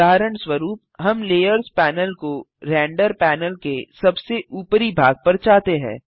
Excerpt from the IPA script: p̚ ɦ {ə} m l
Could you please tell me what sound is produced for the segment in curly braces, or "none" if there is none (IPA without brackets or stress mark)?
ɐ